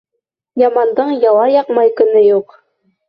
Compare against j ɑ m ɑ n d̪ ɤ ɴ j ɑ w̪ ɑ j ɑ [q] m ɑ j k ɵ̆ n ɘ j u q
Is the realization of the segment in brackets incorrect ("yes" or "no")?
no